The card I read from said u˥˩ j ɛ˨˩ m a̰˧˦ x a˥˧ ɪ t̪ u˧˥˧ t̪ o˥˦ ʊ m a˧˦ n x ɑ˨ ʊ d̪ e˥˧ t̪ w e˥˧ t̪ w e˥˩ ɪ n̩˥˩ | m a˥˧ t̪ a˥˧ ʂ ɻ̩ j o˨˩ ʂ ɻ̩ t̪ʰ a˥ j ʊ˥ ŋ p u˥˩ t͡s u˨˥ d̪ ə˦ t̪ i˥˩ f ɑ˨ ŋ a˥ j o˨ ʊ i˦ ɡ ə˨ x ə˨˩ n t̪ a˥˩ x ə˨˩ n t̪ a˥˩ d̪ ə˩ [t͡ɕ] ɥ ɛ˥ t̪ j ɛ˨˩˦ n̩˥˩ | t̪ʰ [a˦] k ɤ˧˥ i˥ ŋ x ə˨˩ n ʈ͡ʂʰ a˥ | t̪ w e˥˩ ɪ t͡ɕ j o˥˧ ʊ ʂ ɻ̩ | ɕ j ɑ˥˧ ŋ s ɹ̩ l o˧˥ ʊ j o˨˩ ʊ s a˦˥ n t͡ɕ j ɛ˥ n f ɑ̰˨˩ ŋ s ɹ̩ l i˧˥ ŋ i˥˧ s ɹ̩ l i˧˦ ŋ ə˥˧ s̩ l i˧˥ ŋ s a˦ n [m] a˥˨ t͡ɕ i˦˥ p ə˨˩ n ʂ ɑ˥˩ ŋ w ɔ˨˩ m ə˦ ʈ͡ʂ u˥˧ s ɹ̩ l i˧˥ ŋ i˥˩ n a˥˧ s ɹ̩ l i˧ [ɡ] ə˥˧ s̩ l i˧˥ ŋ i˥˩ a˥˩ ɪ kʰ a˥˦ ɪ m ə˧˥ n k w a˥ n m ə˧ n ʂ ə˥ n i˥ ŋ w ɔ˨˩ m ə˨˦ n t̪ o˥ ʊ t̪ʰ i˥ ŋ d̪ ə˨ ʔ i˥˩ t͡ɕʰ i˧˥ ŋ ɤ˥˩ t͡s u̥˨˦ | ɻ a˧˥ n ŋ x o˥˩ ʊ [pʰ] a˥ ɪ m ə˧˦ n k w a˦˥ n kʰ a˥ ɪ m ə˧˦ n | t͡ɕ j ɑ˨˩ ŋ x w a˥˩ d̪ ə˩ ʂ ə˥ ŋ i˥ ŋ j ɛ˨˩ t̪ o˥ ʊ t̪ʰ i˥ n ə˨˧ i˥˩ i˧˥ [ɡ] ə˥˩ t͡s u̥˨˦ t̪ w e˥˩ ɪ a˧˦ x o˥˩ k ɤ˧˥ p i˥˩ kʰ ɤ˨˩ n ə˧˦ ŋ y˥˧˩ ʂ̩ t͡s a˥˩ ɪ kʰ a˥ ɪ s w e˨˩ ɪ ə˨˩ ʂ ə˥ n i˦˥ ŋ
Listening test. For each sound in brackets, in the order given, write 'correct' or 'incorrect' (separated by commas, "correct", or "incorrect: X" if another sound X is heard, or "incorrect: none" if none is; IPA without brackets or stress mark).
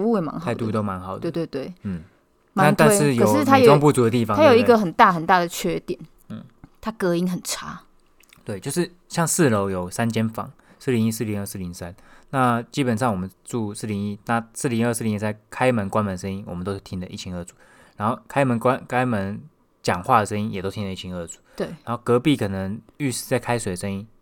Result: incorrect: t͡ɕʰ, correct, incorrect: n, incorrect: ŋ, incorrect: kʰ, incorrect: ŋ